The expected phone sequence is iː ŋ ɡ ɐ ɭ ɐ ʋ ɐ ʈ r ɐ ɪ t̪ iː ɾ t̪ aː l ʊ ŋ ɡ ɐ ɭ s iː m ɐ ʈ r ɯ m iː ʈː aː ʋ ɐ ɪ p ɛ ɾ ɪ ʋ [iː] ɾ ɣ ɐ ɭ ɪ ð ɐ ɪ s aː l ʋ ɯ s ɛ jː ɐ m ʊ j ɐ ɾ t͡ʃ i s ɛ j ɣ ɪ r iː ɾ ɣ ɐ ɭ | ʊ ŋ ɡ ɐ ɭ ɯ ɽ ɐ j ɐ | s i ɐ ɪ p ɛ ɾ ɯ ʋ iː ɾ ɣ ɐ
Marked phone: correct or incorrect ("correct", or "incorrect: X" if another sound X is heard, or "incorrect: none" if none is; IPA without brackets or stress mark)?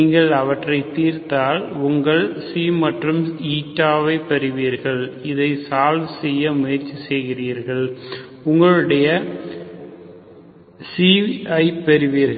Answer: correct